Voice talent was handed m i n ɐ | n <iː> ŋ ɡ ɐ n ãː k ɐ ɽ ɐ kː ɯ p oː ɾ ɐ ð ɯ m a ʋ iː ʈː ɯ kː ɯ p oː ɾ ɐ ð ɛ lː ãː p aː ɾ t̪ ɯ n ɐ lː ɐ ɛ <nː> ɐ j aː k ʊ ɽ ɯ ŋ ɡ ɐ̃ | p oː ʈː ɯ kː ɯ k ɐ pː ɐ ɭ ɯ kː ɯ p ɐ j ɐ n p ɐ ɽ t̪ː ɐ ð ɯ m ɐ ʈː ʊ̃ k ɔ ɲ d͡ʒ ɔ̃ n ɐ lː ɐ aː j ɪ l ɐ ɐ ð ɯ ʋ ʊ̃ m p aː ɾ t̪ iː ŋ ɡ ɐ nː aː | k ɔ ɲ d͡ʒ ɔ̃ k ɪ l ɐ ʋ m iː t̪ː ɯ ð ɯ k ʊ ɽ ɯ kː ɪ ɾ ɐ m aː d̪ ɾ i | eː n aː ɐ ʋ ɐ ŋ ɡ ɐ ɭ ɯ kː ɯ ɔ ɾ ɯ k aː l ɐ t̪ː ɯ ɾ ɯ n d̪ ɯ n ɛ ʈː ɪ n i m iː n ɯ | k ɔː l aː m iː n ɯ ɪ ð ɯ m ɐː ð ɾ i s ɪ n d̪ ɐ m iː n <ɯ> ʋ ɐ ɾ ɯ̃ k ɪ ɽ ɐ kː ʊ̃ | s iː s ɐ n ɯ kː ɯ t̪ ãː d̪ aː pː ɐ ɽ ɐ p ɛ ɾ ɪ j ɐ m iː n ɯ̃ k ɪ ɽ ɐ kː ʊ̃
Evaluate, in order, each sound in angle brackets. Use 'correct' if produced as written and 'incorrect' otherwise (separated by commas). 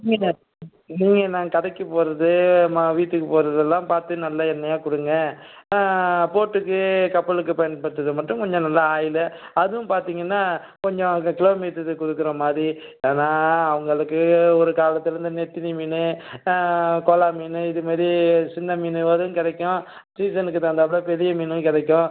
correct, correct, correct